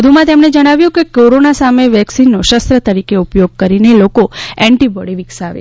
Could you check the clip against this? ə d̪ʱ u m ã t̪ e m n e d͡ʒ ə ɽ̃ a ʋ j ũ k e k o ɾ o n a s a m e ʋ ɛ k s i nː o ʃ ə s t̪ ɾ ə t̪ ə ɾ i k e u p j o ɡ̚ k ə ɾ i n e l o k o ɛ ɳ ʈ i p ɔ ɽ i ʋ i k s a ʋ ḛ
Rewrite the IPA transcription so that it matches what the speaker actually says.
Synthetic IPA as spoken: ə d̪ʱ u m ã t̪ e m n e d͡ʒ ə ɽ̃ a ʋ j ũ k e k o ɾ o n a s a m e ʋ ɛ k s i nː o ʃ ə s t̪ ɾ ə t̪ ə ɾ i k e u p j o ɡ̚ k ə ɾ i n e l o k o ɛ ɳ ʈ i b ɔ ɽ i ʋ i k s a ʋ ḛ